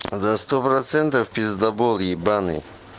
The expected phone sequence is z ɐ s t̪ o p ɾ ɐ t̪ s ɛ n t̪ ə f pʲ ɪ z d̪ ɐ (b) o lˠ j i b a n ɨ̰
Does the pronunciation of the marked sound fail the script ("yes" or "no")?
no